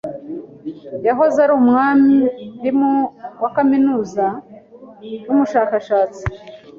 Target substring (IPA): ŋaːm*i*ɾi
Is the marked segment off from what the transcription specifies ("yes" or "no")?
no